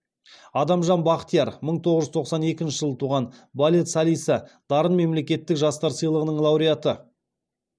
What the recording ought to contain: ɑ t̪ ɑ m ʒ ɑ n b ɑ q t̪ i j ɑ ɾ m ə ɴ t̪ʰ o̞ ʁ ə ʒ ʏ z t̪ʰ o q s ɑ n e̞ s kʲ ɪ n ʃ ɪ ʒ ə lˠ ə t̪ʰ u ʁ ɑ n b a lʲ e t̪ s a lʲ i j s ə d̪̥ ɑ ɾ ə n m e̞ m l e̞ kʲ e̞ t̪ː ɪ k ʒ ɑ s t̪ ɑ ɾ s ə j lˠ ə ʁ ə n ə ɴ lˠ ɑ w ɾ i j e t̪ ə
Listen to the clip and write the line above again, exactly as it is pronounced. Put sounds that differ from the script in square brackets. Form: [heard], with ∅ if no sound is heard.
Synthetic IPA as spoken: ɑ [d̪] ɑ m ʒ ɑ n b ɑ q t̪ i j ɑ ɾ m ə ɴ t̪ʰ o̞ ʁ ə ʒ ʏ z t̪ʰ o q s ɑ n e̞ [∅] kʲ ɪ n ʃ ɪ ʒ ə lˠ ə t̪ʰ u ʁ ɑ n b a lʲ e t̪ s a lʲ i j s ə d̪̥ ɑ ɾ ə n m e̞ m l e̞ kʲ e̞ t̪ː ɪ k ʒ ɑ s t̪ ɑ ɾ s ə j lˠ ə ʁ ə n ə ɴ lˠ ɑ w ɾ i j [a] t̪ ə